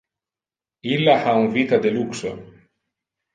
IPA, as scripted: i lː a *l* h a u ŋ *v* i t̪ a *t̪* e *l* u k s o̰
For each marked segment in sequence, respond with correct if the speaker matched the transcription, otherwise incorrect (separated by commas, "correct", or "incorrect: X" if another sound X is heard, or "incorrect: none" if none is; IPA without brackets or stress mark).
incorrect: none, correct, incorrect: d̪, correct